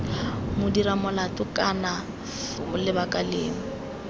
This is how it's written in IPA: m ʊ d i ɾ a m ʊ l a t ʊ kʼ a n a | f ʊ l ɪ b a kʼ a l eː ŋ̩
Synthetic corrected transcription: m ʊ d i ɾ a m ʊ l a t ʊ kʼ a n a | f ʊ l ɪ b a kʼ a l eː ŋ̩